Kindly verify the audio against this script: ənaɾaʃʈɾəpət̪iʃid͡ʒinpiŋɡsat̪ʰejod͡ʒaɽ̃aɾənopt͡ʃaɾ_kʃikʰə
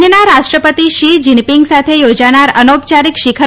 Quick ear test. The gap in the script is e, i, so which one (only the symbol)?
i